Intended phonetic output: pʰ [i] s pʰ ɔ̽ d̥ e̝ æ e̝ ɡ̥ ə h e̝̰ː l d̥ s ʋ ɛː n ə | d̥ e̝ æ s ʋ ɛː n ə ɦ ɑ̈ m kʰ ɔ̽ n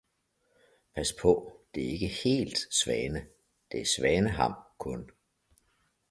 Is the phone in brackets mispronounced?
yes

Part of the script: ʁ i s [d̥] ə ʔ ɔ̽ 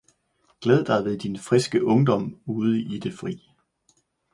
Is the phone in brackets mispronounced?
yes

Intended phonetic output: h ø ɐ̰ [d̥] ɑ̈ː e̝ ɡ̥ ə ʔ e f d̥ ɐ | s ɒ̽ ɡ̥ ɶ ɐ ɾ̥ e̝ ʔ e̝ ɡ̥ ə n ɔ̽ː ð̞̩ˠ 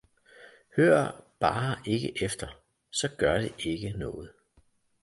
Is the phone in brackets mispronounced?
yes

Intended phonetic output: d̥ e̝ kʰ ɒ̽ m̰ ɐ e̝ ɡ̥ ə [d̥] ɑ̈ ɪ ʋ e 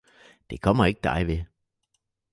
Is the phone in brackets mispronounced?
no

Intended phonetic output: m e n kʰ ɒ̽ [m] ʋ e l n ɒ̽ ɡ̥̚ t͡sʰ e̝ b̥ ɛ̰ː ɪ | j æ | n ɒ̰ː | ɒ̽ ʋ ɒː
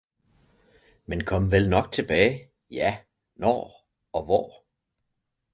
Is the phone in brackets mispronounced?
no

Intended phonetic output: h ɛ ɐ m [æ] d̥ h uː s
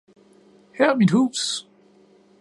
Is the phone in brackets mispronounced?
yes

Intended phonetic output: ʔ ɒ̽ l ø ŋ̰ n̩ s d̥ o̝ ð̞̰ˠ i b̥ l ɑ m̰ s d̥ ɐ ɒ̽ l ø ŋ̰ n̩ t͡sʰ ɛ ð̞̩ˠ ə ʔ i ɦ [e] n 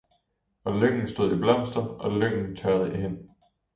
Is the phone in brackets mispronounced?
no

